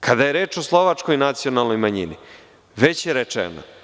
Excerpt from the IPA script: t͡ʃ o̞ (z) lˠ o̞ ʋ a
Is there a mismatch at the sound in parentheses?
yes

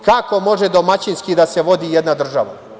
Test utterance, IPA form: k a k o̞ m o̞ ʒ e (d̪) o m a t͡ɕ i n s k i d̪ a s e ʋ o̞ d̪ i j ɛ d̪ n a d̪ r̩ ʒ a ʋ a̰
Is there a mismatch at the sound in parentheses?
no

